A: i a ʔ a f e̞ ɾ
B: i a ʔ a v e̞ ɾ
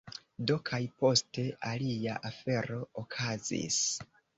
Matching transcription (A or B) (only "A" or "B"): A